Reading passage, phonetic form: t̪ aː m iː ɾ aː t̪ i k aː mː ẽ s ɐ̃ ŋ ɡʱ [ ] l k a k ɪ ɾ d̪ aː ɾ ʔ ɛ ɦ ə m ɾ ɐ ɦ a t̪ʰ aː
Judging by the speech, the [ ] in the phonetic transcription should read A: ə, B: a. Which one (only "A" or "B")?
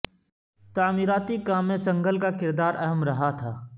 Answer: A